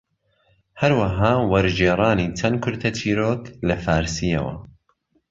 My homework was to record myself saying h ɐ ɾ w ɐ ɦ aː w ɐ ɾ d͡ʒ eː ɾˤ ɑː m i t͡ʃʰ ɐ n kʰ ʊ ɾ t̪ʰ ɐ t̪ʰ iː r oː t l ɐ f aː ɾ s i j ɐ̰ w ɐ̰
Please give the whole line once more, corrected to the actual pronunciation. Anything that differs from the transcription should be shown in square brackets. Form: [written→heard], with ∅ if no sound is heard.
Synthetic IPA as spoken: h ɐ ɾ w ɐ ɦ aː w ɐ ɾ d͡ʒ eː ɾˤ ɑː [m→n] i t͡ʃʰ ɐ n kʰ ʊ ɾ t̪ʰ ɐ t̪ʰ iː [r→ɾ] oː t l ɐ f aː ɾ s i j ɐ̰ w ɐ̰